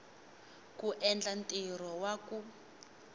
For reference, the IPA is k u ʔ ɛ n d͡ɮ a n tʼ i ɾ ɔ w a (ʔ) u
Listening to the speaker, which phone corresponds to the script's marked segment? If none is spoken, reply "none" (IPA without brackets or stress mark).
k